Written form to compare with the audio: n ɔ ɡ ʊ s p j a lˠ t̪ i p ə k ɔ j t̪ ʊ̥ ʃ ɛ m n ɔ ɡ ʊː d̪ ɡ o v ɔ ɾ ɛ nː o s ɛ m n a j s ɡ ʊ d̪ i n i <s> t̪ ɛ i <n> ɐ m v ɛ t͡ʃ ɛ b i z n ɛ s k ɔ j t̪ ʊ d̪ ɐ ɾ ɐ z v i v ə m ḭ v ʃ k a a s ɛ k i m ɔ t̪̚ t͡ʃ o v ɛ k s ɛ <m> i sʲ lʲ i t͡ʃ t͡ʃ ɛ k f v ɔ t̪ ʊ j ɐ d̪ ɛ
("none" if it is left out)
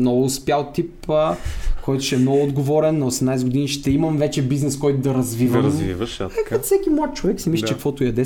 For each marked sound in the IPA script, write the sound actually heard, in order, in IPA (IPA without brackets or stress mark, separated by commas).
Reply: ʃ, m, m